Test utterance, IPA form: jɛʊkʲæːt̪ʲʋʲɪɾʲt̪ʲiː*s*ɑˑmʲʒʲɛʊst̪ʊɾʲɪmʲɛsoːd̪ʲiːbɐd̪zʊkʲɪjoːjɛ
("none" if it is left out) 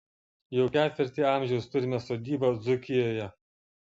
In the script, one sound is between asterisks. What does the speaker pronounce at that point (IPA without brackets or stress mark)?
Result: none